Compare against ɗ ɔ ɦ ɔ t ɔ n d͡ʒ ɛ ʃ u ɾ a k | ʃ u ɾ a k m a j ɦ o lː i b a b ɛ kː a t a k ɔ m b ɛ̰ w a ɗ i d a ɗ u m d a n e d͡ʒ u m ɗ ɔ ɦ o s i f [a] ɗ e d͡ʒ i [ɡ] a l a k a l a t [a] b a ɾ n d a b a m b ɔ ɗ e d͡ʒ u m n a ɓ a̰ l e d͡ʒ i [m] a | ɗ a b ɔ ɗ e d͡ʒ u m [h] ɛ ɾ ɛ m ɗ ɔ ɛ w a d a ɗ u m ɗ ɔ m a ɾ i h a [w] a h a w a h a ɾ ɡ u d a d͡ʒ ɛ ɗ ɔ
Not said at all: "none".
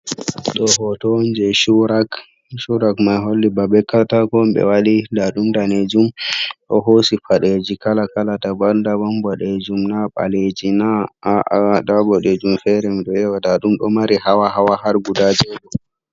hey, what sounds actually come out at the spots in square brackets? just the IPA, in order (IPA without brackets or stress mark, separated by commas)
a, k, a, n, f, w